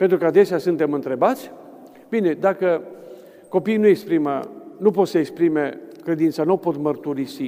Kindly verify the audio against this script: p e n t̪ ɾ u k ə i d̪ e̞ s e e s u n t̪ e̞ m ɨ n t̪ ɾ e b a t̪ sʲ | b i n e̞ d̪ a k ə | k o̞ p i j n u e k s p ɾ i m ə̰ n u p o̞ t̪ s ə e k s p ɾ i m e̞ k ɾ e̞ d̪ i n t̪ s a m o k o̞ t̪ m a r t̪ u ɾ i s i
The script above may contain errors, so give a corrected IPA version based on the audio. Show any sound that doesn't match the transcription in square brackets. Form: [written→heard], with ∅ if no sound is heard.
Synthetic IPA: p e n t̪ ɾ u k ə [i→a] d̪ e̞ s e [e→a] s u n t̪ e̞ m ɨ n t̪ ɾ e b a t̪ sʲ | b i n e̞ d̪ a k ə | k o̞ p i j n u e k s p ɾ i m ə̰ n u p o̞ t̪ s ə e k s p ɾ i m e̞ k ɾ e̞ d̪ i n t̪ s a [m→n] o [k→p] o̞ t̪ m [a→ə] r t̪ u ɾ i s i